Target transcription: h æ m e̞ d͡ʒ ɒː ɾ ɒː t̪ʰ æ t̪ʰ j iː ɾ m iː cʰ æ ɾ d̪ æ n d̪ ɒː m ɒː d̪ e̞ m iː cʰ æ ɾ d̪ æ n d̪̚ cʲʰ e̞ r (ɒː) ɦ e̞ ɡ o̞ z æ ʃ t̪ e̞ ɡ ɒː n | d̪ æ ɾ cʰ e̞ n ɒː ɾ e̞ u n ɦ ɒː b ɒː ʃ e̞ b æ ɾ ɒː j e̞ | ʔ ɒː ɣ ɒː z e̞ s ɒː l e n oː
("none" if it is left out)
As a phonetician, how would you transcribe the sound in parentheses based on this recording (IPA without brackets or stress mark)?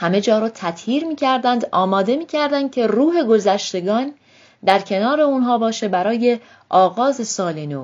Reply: uː